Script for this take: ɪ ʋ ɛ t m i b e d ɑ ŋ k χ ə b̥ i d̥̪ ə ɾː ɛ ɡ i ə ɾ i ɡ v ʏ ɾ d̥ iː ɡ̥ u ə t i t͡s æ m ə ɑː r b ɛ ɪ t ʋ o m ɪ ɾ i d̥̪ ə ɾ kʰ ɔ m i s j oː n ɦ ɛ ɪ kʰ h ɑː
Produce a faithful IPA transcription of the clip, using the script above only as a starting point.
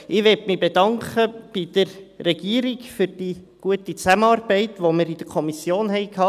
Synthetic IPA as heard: ɪ ʋ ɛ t m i b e d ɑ ŋ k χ ə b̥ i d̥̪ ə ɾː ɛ ɡ i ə ɾ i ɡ f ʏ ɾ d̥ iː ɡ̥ u ə t i t͡s æ m ə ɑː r b ɛ ɪ t ʋ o m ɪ ɾ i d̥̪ ə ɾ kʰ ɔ m i s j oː n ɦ ɛ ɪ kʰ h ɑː

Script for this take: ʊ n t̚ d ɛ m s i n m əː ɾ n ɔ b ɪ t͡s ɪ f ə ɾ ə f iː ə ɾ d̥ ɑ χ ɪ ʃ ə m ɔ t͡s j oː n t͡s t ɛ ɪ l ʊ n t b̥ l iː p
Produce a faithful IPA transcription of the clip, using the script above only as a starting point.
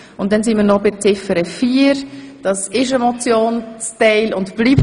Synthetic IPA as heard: ʊ n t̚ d ɛ n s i n m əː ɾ n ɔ b ɪ t͡s ɪ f ə ɾ ə f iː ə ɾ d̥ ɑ s ɪ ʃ ə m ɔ t͡s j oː n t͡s t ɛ ɪ l ʊ n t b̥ l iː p

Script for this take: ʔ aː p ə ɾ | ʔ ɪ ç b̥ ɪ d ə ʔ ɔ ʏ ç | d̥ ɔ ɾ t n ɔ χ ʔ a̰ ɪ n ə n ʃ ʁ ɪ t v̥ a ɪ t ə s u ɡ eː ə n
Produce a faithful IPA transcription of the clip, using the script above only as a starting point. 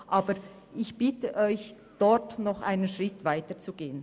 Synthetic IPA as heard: ʔ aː b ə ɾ | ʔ ɪ ç b̥ ɪ t ə ʔ ɔ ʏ ç | d̥ ɔ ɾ t n ɔ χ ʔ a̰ ɪ n ə n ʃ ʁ ɪ t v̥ a ɪ t ə t͡s u ɡ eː ə n

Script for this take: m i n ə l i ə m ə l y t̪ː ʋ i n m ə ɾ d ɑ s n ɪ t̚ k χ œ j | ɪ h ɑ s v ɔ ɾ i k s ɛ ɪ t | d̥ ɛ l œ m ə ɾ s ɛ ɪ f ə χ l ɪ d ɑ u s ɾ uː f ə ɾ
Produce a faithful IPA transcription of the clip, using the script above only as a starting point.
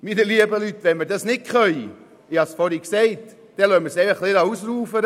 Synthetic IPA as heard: m i n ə l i ə b ə l y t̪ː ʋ ɛ n m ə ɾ d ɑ s n ɪ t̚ k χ œ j | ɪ h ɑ s f ɔ ɾ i k s ɛ ɪ t | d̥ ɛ l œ m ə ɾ s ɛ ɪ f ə χ l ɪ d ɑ u s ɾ uː f ə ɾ

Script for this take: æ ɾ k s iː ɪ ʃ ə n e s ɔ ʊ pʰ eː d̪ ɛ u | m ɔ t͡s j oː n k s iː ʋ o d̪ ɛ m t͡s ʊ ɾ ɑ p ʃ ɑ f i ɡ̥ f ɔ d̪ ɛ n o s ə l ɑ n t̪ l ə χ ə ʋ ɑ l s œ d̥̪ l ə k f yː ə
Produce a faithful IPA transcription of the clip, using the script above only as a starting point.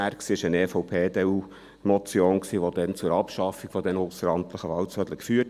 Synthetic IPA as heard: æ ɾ k s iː ɪ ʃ ə n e f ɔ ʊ pʰ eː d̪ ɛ u | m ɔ t͡s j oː n k s iː ʋ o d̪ ɛ n t͡s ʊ ɾ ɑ p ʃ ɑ f i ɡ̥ f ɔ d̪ ɛ n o s ə ɾ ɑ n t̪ l ə χ ə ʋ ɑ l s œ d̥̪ l ə k f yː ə

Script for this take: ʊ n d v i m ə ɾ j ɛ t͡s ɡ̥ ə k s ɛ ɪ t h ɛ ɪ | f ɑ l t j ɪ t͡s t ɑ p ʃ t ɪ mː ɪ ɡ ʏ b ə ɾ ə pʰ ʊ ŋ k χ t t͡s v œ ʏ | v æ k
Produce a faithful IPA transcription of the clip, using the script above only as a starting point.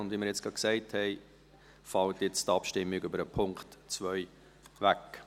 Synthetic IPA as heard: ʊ n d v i m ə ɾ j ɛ t͡s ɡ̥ ɑ k s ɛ ɪ t h ɛ ɪ | f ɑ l t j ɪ t͡s t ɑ p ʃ t ɪ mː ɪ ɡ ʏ b ə ɾ ə pʰ ʊ ŋ k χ t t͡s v œ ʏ | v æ k

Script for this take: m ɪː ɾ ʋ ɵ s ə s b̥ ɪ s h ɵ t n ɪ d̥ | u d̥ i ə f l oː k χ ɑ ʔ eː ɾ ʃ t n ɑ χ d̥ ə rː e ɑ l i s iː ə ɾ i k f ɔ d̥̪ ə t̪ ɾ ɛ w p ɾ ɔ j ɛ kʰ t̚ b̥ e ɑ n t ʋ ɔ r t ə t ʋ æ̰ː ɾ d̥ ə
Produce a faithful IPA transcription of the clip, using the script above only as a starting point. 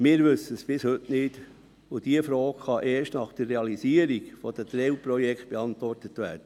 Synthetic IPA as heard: m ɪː ɾ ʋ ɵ s ə s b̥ ɪ s h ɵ t n ɪ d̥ | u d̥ i ə f ɾ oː k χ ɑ ʔ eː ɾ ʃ t n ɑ χ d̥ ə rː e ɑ l i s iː ə ɾ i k f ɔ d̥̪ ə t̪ ɾ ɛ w p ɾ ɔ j ɛ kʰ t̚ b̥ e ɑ n t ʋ ɔ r t ə t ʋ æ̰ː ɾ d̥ ə

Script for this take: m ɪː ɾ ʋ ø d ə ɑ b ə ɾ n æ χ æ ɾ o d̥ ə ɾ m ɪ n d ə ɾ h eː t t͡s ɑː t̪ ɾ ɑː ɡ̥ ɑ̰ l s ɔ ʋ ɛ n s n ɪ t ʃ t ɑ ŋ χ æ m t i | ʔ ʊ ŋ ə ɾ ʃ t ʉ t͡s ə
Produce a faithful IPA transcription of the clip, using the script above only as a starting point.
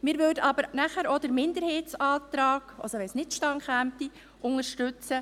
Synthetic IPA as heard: m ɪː ɾ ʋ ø d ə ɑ b ə ɾ n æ χ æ ɾ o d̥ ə ɾ m ɪ n d ə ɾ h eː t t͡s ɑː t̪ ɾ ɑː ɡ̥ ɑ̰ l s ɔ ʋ ɛ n s n ɪ t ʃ t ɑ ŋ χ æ m t i | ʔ ʊ ŋ ə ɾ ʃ t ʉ t͡s ə

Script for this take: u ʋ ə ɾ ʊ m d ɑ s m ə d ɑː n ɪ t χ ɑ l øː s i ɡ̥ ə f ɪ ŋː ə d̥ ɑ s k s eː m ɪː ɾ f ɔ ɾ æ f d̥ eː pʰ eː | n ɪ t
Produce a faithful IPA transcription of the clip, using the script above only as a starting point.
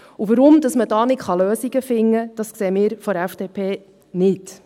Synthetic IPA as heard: u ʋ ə ɾ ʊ m d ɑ s m ə d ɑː n ɪ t χ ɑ l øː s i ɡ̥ ə f ɪ ŋː ə d̥ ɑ s k s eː m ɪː ɾ f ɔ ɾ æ f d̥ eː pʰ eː | n ɪ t

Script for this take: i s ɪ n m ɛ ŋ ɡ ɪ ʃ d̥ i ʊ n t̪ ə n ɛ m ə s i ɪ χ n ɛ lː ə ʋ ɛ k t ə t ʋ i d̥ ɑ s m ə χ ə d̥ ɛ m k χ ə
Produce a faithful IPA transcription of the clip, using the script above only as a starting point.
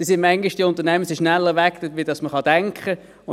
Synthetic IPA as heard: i s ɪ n m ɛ ŋ ɡ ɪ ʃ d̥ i ʊ n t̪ ə n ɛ m ə s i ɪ ʃ n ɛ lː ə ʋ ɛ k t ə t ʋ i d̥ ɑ s m ə χ ɑ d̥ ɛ ŋ k χ ə

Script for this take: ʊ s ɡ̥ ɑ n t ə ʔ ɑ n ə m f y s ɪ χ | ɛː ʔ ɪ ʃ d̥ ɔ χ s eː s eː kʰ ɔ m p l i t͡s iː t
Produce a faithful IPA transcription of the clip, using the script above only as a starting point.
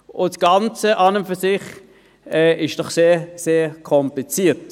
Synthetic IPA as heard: ʊ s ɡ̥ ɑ n t͡s ə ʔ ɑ n ə m f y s ɪ χ | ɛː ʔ ɪ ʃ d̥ ɔ χ s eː s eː kʰ ɔ m p l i t͡s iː t

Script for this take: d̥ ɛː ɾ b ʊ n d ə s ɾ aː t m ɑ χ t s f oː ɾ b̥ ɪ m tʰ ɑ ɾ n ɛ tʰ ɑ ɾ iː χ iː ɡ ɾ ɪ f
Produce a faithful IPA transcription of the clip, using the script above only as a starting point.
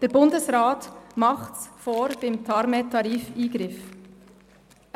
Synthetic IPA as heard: d̥ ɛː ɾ b ʊ n d ə s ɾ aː t m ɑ χ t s f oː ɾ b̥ ɪ m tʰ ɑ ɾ m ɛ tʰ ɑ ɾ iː f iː ɡ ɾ ɪ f

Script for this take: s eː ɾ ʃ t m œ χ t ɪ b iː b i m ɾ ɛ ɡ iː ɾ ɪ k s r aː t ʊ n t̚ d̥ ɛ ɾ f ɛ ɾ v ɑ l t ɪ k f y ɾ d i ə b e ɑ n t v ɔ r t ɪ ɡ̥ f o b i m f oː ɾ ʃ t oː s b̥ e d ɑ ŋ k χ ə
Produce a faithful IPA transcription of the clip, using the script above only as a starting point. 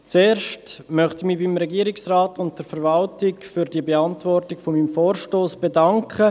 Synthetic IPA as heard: t͡s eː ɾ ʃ t m œ χ t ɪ m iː b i m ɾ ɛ ɡ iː ɾ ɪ k s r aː t ʊ n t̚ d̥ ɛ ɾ f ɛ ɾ v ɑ l t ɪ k f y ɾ d i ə b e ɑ n t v ɔ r t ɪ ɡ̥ f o m i m f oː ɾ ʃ t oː s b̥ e d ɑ ŋ k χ ə

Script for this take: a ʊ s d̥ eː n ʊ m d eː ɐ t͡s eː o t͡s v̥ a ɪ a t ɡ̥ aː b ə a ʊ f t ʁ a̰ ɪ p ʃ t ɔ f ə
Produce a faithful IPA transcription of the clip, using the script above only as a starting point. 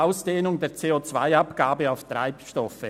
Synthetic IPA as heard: a ʊ s d̥ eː n ʊ ŋ d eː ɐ t͡s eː o t͡s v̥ a ɪ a p ɡ̥ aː b ə a ʊ f t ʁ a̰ ɪ p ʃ t ɔ f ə

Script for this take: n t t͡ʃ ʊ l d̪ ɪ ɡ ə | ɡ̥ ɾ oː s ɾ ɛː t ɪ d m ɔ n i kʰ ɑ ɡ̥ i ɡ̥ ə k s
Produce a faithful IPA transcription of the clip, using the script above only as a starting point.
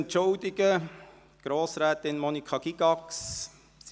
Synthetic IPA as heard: n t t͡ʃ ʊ l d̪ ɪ ɡ ə | ɡ̥ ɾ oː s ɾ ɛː t ɪ n m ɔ n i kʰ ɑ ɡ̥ i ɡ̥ ɑ k s

